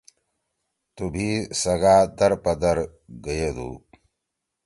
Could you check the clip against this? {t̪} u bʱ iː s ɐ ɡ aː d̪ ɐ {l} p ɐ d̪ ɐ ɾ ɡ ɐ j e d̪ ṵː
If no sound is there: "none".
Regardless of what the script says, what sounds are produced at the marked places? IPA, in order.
t̪, ɾ

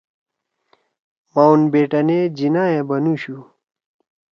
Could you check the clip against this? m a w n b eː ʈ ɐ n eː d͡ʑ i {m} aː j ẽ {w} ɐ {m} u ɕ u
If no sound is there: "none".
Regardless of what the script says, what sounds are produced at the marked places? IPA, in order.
n, b, n

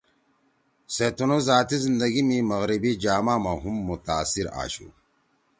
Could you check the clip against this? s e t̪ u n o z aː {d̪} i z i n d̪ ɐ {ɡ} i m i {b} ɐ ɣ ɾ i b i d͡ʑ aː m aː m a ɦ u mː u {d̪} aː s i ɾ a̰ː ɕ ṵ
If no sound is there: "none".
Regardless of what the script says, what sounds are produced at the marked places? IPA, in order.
t̪, ɡ, m, t̪

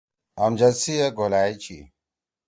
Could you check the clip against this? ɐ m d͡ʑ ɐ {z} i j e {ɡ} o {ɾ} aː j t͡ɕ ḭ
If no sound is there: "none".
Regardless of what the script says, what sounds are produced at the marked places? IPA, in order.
s, ɡ, l

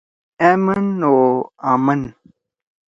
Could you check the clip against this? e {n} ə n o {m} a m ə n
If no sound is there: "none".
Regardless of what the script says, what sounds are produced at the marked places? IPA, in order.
m, none

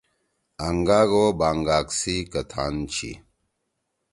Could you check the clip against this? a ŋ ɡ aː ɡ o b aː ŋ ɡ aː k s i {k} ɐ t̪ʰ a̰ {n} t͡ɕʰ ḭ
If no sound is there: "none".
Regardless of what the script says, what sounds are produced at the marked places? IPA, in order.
k, n

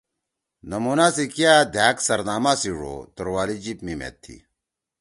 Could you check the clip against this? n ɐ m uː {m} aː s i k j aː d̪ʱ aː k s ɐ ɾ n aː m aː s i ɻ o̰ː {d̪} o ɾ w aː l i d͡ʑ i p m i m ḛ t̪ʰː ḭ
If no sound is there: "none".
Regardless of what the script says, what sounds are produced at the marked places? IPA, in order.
n, t̪

